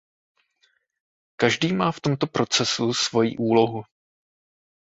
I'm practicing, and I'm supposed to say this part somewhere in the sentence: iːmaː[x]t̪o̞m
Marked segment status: incorrect: f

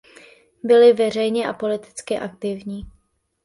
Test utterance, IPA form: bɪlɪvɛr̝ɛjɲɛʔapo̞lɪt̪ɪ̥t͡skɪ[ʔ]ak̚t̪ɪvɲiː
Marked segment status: correct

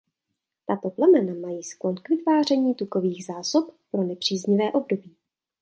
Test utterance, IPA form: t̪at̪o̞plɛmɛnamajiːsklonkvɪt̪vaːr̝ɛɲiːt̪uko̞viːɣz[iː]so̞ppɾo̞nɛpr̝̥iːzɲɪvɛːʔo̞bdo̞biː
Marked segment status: incorrect: aː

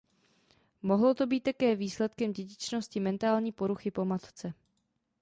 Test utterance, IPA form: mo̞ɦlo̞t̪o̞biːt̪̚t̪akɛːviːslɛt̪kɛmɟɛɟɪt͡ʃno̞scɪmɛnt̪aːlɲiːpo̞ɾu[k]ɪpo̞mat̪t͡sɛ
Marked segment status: incorrect: x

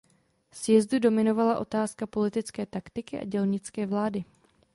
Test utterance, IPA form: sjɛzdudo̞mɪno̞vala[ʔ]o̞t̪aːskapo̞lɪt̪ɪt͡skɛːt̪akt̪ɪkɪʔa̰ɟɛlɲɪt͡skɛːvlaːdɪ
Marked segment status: correct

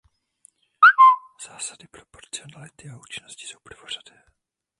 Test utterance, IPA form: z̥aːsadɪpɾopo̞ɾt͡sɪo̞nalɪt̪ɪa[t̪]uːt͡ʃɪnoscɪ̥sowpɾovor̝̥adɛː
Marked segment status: incorrect: none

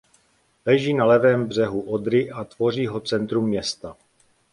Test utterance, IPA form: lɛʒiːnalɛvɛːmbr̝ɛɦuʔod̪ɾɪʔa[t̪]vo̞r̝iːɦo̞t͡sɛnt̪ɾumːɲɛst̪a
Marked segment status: correct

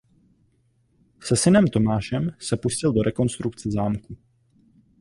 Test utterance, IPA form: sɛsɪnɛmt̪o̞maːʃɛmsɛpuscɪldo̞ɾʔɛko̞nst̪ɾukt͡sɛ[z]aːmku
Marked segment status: correct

